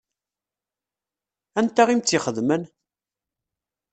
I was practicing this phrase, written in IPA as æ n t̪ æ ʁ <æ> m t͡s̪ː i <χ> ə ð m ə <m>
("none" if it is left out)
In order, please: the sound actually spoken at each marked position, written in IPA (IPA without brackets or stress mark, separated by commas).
i, χ, n